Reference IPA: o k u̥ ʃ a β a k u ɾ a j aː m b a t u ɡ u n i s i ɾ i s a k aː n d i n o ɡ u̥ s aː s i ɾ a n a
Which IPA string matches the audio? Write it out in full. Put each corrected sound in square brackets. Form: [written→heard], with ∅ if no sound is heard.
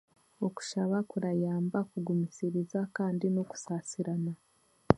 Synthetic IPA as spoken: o k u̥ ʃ a β a k u ɾ a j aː m b a [t→k] u ɡ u [n→m] i s i ɾ i [s→z] a k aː n d i n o [ɡ→k] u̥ s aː s i ɾ a n a